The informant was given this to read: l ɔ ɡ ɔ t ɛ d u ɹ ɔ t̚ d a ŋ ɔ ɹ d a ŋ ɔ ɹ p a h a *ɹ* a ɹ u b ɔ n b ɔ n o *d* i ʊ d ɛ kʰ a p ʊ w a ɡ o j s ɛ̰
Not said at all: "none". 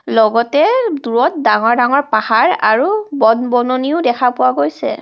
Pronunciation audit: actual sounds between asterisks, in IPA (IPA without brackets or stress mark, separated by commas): ɹ, n